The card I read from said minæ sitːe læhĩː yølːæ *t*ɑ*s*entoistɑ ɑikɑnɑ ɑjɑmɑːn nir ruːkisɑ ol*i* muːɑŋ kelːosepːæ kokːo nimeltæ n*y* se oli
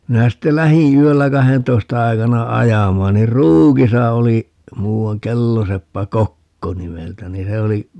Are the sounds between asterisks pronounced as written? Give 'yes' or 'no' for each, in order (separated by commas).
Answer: no, no, yes, no